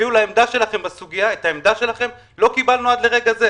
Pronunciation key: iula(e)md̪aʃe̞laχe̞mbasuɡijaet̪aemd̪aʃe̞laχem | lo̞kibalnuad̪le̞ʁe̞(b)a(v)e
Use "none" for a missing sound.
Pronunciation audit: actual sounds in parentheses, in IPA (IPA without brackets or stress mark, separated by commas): e, ɡ, z